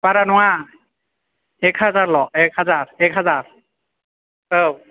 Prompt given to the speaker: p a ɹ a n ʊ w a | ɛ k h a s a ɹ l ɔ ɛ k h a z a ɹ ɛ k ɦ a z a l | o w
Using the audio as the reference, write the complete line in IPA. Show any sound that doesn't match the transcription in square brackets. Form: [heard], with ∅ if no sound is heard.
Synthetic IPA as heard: p a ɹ a n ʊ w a | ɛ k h a [z] a ɹ l ɔ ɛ k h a z a ɹ ɛ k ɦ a z a [ɹ] | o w